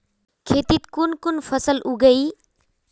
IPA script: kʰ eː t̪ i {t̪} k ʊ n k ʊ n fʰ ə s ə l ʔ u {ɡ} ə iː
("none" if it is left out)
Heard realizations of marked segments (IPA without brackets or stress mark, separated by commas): t̪, ɡ